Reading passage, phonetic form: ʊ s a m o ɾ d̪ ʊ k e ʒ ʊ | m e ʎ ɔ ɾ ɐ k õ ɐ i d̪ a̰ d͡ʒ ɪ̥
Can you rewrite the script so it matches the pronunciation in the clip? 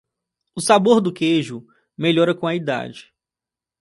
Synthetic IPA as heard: ʊ s a b o ɾ d̪ ʊ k e ʒ ʊ | m e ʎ ɔ ɾ ɐ k õ ɐ i d̪ a̰ d͡ʒ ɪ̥